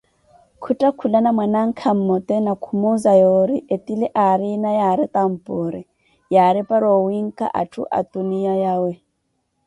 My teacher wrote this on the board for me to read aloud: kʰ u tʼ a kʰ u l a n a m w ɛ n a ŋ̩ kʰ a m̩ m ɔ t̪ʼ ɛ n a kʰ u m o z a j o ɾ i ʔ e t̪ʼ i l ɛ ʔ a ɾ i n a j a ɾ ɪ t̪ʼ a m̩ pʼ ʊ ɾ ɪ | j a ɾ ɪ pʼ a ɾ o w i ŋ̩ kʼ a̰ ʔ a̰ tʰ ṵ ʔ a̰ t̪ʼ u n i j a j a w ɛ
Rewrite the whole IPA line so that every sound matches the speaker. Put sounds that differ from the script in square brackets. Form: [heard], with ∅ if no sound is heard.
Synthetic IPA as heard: kʰ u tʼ a kʰ u l a n a m w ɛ n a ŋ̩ kʰ a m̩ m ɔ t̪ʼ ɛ n a kʰ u m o z a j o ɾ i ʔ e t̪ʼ i l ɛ ʔ a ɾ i n a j a ɾ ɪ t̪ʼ a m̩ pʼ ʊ ɾ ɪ | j a ɾ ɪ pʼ a ɾ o w i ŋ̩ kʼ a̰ ʔ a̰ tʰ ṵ ʔ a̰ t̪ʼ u n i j a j a w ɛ